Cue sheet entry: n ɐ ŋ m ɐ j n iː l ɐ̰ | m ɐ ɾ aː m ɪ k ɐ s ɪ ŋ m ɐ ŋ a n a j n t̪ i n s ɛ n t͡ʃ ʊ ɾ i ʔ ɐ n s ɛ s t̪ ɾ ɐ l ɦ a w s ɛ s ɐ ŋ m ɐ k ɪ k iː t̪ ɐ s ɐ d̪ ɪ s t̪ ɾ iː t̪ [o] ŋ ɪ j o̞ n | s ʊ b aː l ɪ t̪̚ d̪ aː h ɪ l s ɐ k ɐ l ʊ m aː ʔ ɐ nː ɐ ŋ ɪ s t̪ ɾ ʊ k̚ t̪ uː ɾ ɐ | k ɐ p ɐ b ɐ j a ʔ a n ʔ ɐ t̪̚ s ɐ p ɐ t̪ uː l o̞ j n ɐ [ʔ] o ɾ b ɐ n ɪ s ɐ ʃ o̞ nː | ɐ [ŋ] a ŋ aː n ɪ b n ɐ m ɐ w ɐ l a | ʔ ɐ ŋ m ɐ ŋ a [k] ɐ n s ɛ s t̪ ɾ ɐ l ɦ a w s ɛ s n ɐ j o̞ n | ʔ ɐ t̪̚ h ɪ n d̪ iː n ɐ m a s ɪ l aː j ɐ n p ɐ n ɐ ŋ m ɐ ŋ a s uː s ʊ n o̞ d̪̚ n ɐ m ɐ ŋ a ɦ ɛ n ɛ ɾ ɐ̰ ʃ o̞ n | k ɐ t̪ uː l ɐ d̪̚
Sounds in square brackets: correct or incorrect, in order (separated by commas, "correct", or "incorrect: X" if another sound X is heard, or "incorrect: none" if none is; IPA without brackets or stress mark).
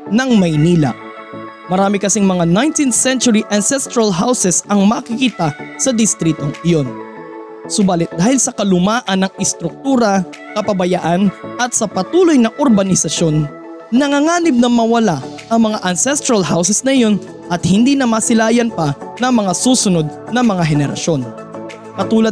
correct, correct, correct, incorrect: ʔ